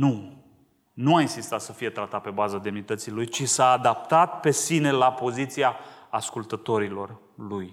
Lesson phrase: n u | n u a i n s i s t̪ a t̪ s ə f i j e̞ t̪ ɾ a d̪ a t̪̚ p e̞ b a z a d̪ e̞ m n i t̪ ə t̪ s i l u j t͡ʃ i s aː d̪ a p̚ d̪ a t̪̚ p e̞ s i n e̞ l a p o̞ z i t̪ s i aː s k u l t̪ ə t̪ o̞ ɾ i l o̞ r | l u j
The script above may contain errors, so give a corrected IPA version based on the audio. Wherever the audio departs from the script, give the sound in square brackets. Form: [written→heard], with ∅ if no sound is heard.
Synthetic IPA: n u | n u a i n s i s t̪ a t̪ s ə f i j e̞ t̪ ɾ a [d̪→t̪] a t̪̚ p e̞ b a z a d̪ e̞ m n i t̪ ə t̪ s i l u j t͡ʃ i s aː d̪ a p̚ [d̪→t̪] a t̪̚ p e̞ s i n e̞ l a p o̞ z i t̪ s i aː s k u l t̪ ə t̪ o̞ ɾ i l o̞ r | l u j